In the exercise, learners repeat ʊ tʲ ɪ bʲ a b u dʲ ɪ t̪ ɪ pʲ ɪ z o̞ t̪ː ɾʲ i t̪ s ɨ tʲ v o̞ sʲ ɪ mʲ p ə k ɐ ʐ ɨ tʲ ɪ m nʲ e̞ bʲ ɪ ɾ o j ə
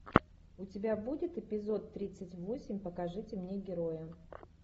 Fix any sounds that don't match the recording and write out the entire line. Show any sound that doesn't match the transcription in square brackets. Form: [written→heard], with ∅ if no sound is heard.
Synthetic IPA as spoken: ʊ tʲ ɪ bʲ a b u dʲ ɪ t̪ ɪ pʲ ɪ z o̞ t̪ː ɾʲ i t̪ s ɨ tʲ v o̞ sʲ ɪ mʲ p ə k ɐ ʐ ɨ tʲ ɪ m nʲ e̞ [bʲ→ɡʲ] ɪ ɾ o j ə